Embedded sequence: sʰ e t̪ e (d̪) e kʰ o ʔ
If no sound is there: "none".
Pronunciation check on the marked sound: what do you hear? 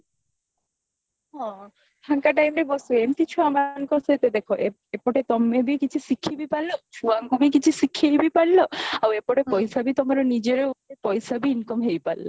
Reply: d̪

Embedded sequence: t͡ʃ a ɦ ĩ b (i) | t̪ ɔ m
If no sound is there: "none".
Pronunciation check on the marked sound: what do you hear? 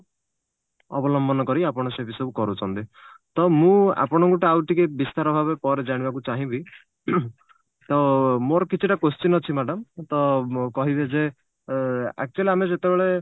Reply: i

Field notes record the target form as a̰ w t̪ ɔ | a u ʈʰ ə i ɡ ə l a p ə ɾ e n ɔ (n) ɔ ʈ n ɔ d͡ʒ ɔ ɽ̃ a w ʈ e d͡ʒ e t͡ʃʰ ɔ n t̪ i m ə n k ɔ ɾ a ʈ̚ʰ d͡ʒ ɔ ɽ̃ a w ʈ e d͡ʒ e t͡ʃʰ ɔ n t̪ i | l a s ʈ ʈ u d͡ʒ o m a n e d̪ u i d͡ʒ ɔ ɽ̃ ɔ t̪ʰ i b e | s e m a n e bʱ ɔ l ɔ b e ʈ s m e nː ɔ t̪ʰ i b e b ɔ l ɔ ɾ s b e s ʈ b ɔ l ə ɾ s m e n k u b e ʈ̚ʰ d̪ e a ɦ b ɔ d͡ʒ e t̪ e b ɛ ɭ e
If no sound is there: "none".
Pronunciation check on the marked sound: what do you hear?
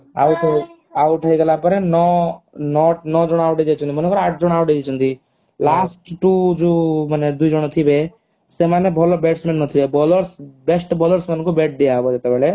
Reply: n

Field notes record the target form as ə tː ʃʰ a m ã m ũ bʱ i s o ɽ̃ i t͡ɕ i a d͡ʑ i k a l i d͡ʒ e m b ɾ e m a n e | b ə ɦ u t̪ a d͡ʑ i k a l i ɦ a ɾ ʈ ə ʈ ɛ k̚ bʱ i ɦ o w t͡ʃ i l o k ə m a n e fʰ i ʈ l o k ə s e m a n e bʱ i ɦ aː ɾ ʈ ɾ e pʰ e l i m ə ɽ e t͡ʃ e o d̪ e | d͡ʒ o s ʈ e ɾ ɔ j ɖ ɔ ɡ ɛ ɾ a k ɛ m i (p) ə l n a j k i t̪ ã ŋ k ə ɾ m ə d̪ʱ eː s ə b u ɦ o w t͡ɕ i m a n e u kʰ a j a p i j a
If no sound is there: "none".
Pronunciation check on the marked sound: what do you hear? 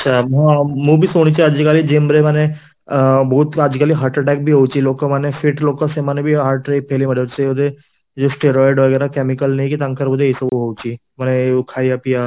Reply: k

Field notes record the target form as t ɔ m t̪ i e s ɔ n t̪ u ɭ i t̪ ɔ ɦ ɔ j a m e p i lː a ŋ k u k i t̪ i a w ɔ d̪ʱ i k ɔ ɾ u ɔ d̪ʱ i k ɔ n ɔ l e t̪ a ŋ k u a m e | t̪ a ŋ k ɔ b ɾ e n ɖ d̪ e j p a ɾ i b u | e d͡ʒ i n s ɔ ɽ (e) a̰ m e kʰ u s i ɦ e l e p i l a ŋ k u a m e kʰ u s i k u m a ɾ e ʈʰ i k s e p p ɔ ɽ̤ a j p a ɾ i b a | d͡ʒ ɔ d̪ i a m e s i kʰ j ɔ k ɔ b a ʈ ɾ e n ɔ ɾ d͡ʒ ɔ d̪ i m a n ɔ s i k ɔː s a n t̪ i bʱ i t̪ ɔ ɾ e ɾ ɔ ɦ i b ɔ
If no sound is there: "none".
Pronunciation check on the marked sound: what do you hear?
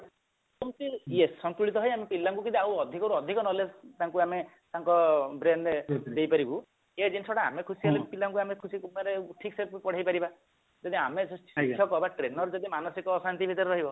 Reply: a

